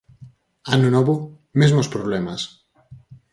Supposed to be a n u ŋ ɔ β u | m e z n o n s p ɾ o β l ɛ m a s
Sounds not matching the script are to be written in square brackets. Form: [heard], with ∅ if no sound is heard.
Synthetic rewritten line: a n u [n] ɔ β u | m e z [m] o [∅] s p ɾ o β l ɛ m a s